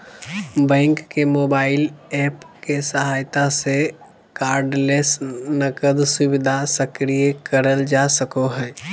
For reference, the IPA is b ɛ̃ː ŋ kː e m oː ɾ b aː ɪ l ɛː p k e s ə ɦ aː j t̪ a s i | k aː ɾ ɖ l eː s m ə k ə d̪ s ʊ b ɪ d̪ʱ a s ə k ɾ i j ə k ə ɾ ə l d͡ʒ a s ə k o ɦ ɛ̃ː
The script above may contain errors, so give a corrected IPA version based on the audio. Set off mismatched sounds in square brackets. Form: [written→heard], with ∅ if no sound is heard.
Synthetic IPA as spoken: b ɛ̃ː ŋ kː e m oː [ɾ→∅] b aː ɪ l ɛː p k e s ə ɦ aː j t̪ a s [i→e] | k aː ɾ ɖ l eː s [m→n] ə k ə d̪ s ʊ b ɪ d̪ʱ a s ə k ɾ i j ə k ə ɾ ə l d͡ʒ a s ə k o ɦ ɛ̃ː

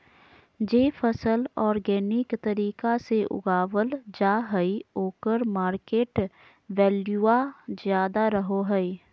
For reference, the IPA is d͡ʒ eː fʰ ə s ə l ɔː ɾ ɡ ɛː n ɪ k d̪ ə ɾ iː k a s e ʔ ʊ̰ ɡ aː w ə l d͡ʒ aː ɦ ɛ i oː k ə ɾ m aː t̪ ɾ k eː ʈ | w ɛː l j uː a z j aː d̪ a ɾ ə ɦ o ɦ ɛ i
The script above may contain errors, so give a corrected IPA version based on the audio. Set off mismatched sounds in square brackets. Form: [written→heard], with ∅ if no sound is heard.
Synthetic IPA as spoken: d͡ʒ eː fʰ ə s ə l ɔː ɾ ɡ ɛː n ɪ k [d̪→t̪] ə ɾ iː k a s e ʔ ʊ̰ ɡ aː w ə l d͡ʒ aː ɦ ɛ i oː k ə ɾ m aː [t̪→∅] ɾ k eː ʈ | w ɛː l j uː a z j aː d̪ a ɾ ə ɦ o ɦ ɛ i

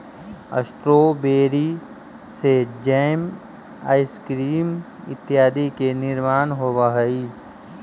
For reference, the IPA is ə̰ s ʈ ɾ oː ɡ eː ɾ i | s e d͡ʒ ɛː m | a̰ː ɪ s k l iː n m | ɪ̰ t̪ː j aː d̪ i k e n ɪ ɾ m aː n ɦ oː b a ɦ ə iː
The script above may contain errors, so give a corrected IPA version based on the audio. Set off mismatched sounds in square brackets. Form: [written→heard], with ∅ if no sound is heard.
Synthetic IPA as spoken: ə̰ s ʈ ɾ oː [ɡ→b] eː ɾ i | s e d͡ʒ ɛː m | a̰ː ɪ s k [l→ɾ] iː [n→∅] m | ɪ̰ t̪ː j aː d̪ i k e n ɪ ɾ m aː n ɦ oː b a ɦ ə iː

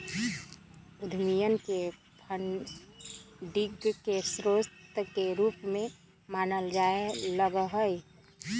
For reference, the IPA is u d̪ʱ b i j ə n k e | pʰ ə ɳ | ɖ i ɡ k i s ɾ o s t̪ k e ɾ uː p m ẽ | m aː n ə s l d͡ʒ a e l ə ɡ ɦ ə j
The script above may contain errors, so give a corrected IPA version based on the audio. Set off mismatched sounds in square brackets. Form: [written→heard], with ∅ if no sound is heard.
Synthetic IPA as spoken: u d̪ʱ [b→m] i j ə n k e | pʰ ə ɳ | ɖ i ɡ k [i→e] s ɾ o s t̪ k e ɾ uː p m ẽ | m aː n ə [s→∅] l d͡ʒ a e l ə ɡ ɦ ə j

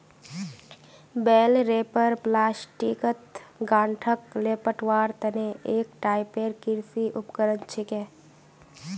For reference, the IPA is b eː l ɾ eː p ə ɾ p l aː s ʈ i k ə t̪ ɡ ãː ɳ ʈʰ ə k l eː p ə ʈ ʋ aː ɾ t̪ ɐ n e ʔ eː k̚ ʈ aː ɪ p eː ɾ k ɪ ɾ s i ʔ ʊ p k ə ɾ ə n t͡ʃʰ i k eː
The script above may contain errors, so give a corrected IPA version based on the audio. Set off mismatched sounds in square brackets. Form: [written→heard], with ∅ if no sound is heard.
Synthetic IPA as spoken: b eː l ɾ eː p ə ɾ p l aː s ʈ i k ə t̪ ɡ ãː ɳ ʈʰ ə k l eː p ə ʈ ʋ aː ɾ t̪ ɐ n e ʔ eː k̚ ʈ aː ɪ p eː ɾ k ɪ ɾ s i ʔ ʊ p k ə ɾ ə n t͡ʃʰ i k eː

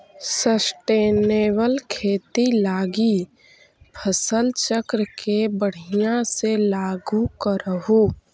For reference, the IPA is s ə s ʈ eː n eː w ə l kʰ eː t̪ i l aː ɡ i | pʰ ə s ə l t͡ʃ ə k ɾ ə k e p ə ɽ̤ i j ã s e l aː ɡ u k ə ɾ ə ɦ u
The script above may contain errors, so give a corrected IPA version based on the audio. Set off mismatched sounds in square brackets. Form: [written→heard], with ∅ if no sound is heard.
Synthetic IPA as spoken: s ə s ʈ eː n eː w ə l kʰ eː t̪ i l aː ɡ i | pʰ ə s ə l t͡ʃ ə k ɾ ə k e [p→b] ə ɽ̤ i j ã s e l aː ɡ u k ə ɾ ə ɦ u

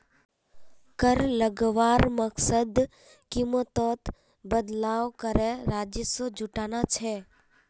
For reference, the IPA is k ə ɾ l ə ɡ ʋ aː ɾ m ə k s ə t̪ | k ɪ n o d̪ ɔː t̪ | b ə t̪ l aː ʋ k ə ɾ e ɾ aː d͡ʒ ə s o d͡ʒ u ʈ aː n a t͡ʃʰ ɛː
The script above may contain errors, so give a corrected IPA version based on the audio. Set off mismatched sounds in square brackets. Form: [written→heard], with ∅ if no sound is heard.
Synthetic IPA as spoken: k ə ɾ l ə ɡ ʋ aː ɾ m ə k s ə [t̪→d̪] | k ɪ [n→m] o [d̪→t̪] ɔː t̪ | b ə [t̪→d̪] l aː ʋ k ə ɾ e ɾ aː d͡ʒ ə s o d͡ʒ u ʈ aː n a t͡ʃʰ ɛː

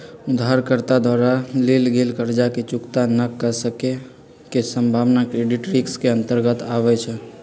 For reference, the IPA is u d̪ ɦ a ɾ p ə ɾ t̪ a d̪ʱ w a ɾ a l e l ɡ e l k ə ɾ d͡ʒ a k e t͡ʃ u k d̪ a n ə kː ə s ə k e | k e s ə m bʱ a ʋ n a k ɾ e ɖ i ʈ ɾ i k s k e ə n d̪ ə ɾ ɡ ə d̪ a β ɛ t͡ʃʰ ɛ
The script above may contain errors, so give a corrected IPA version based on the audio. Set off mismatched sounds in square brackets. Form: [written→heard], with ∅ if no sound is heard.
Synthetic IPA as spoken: u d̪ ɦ a ɾ [p→k] ə ɾ t̪ a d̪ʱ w a ɾ a l e l ɡ e l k ə ɾ d͡ʒ a k e t͡ʃ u k [d̪→t̪] a n ə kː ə s ə k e | k e s ə m bʱ a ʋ n a k ɾ e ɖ i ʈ ɾ i k s k e ə n [d̪→t̪] ə ɾ ɡ ə [d̪→t̪] a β ɛ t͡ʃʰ ɛ

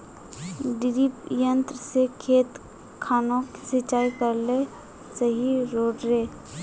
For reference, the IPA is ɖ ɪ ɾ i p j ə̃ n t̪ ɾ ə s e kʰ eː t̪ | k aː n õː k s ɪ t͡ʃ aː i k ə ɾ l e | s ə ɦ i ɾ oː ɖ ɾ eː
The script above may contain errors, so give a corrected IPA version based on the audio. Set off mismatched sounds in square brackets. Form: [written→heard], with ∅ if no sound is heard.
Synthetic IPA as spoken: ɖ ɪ ɾ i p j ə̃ n t̪ ɾ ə s e kʰ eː t̪ | [k→kʰ] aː n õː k s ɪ t͡ʃ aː i k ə ɾ l e | s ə ɦ i ɾ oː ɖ ɾ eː

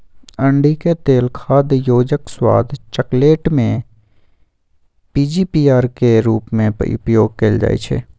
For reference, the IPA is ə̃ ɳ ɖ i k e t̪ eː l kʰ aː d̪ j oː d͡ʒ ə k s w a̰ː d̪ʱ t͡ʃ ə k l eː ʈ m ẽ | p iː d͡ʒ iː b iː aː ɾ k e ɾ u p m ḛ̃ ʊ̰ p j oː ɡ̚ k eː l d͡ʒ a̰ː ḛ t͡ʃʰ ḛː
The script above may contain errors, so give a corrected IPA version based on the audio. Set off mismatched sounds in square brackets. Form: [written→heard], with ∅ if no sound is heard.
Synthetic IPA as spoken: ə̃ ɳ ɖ i k e t̪ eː l kʰ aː d̪ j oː d͡ʒ ə k s w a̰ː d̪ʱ t͡ʃ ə k l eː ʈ m ẽ | p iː d͡ʒ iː [b→p] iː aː ɾ k e ɾ [u→uː] p m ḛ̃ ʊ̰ p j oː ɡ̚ k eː l d͡ʒ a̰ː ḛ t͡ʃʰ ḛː

